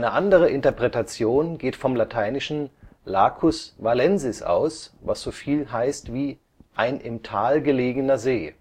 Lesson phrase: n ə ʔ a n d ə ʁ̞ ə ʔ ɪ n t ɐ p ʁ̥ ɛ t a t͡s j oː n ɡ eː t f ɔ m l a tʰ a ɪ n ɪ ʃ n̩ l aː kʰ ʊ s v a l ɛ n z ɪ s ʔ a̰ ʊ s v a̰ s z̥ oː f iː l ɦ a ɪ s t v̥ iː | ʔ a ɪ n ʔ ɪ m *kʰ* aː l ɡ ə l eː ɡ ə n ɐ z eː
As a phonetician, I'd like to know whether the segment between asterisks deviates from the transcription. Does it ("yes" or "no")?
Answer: yes